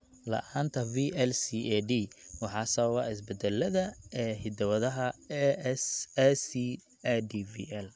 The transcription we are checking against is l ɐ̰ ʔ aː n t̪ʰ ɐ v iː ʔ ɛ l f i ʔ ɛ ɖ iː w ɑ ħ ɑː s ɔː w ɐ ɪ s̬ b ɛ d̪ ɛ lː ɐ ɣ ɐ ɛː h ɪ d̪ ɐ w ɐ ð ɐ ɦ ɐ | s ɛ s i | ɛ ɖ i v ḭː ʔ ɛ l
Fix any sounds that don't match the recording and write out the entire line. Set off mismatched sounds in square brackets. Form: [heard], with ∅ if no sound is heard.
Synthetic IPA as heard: l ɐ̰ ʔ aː n t̪ʰ ɐ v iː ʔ ɛ l [s] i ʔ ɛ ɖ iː w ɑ ħ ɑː s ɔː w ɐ ɪ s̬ b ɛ d̪ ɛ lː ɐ [ð] ɐ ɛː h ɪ d̪ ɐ w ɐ ð ɐ ɦ ɐ | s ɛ s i | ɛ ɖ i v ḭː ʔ ɛ l